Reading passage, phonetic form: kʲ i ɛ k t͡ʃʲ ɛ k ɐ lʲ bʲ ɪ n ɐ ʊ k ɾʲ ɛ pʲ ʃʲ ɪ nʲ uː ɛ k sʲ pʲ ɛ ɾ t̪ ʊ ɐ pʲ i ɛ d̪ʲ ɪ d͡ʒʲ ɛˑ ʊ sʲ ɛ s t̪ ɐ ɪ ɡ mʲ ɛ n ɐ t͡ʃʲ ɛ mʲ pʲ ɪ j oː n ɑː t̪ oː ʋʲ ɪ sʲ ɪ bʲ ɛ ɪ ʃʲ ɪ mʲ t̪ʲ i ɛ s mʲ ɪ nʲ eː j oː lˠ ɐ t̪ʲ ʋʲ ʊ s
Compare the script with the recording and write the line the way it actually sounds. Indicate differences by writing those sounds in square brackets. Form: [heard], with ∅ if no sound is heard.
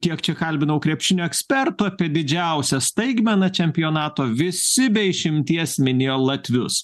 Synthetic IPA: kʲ i ɛ k t͡ʃʲ ɛ k ɐ lʲ bʲ ɪ n ɐ ʊ k ɾʲ ɛ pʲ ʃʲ ɪ nʲ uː ɛ k sʲ pʲ ɛ ɾ t̪ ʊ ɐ pʲ i ɛ d̪ʲ ɪ d͡ʒʲ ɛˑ ʊ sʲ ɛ s t̪ ɐ ɪ ɡ mʲ ɛ n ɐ t͡ʃʲ ɛ mʲ pʲ ɪ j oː n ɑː t̪ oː ʋʲ ɪ sʲ ɪ bʲ ɛ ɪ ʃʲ ɪ mʲ t̪ʲ i ɛ s mʲ ɪ nʲ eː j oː lˠ ɐ t̪ʲ ʋʲ ʊ s